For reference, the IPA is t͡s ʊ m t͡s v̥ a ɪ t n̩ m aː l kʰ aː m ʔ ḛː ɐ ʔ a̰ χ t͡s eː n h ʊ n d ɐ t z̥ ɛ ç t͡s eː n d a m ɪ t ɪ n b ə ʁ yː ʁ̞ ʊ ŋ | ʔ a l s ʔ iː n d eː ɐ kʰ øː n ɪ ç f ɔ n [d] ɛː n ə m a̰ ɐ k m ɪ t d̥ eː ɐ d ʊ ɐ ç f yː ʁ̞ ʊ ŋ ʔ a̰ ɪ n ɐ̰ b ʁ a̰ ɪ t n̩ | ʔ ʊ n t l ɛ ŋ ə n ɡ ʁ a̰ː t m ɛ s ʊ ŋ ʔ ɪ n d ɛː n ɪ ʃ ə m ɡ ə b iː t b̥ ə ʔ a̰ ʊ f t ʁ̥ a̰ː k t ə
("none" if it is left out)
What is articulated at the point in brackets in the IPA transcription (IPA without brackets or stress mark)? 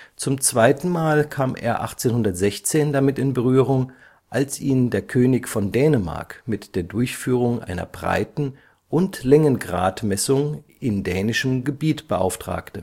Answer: d